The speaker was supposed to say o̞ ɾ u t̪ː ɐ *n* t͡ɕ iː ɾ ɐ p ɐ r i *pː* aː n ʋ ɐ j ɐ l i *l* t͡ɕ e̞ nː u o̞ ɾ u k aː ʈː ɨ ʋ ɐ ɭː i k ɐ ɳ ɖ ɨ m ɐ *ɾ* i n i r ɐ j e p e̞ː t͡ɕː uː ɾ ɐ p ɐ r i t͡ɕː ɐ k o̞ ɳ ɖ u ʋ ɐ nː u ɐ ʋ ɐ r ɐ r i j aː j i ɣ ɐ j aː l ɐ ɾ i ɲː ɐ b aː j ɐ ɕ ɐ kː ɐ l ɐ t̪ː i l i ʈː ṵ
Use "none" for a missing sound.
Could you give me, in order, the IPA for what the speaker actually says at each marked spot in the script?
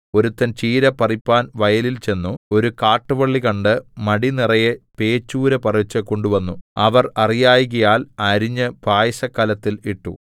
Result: n, pː, l, ɽ

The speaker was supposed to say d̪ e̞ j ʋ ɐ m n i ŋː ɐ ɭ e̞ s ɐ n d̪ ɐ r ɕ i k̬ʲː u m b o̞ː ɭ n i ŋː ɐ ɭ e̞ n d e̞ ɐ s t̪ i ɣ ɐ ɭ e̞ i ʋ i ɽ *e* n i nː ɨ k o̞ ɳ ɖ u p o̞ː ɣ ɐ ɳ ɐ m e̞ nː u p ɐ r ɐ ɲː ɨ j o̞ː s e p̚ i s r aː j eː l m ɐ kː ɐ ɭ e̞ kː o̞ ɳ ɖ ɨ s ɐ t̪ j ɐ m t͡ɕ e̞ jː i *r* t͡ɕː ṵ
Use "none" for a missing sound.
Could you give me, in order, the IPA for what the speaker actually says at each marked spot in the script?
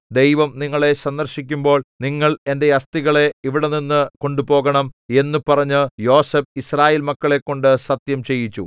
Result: e, none

